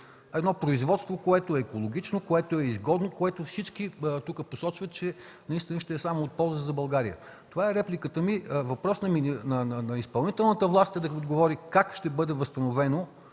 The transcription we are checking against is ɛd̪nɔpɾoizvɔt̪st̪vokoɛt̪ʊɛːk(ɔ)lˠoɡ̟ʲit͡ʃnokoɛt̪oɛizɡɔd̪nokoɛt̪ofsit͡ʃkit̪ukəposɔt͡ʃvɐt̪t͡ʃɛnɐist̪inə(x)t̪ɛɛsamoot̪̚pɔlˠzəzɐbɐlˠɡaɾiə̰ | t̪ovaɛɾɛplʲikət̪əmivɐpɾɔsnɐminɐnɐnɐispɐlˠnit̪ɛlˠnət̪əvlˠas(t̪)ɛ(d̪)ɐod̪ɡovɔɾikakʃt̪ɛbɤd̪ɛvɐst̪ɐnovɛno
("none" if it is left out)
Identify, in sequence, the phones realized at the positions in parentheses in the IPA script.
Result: o, ʃ, t̪, d̪

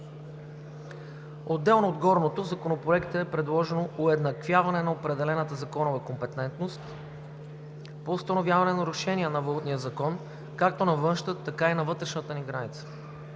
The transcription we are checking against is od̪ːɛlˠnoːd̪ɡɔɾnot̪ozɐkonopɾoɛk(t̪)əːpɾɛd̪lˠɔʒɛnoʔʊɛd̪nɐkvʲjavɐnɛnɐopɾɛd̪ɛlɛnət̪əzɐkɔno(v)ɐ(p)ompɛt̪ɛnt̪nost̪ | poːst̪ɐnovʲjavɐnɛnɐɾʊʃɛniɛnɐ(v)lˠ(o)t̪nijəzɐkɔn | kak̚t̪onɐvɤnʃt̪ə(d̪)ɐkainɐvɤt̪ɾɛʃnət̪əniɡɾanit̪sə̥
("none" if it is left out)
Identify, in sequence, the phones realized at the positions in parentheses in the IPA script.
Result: t̪, v, k, v, u, t̪

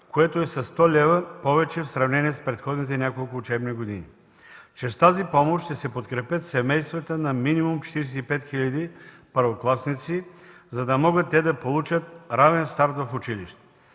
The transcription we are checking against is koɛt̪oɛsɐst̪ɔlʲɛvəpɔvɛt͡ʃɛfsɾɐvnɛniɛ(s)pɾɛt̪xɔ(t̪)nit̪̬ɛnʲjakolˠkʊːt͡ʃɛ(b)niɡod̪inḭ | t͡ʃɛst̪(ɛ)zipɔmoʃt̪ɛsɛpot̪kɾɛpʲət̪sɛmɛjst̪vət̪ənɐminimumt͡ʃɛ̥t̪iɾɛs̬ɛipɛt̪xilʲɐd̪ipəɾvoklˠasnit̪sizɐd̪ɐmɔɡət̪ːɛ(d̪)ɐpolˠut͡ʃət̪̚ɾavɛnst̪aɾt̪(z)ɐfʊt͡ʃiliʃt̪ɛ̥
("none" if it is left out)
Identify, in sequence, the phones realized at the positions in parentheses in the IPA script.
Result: s, d̪, b, a, d̪, v

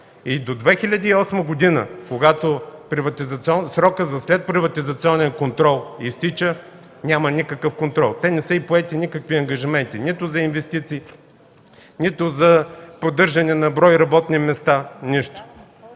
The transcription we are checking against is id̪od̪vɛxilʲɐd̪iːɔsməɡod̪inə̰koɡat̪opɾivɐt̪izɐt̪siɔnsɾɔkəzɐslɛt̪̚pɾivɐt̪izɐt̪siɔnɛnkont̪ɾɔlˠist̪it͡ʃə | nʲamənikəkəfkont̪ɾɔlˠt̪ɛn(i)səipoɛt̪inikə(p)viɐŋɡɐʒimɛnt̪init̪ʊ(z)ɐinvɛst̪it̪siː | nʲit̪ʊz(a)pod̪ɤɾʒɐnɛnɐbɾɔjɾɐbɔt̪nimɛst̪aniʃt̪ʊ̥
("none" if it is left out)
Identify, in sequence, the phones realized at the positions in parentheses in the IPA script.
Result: ɛ, k, z, ɐ

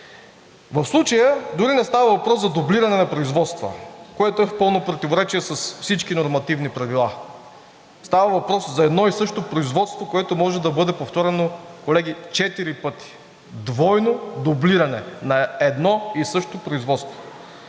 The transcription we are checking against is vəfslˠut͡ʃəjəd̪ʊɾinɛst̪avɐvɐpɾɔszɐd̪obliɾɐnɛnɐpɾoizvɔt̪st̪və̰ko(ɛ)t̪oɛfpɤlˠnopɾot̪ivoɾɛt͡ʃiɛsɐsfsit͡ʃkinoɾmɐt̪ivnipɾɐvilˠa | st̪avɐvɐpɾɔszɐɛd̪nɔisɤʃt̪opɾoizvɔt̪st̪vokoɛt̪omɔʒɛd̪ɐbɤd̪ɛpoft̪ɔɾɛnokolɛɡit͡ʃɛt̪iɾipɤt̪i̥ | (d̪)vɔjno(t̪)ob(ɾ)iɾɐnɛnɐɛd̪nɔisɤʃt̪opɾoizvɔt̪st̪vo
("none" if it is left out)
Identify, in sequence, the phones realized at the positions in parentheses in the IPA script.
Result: ɛ, d̪, d̪, l

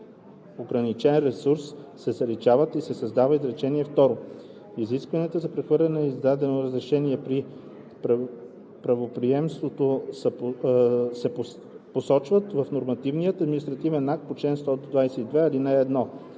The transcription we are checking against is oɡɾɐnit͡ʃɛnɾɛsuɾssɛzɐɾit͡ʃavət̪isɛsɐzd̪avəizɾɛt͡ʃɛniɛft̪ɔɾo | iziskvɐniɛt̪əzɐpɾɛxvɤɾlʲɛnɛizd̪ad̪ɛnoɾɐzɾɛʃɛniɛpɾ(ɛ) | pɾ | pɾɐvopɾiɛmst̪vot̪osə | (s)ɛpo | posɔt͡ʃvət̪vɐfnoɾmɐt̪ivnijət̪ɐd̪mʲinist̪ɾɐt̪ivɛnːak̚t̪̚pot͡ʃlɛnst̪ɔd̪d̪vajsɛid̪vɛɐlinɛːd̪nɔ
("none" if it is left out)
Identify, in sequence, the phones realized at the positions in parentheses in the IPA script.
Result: i, s

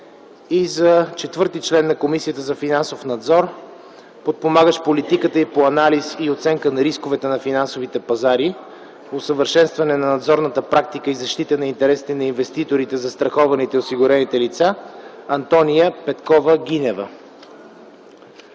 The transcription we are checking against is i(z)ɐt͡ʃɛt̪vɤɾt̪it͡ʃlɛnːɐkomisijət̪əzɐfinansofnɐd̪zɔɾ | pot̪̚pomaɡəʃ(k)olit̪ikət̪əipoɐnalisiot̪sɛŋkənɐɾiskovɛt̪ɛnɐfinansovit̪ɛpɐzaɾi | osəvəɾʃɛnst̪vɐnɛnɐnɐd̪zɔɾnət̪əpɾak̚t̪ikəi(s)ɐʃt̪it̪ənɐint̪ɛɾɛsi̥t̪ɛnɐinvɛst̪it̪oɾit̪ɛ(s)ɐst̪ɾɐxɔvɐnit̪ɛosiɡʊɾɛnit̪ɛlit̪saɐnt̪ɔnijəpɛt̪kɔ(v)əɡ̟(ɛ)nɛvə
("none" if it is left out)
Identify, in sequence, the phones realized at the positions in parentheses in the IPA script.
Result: z, p, z, z, v, i

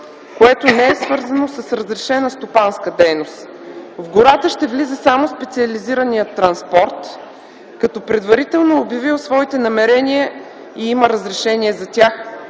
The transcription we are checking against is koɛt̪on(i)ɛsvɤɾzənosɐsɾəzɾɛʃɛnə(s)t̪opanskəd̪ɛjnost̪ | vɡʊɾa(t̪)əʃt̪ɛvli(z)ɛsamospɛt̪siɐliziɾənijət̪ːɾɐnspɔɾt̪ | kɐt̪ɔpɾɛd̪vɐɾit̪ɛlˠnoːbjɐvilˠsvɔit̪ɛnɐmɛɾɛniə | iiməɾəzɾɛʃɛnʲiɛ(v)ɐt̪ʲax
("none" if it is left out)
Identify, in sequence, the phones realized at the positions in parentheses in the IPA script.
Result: ɛ, s, t̪, z, z

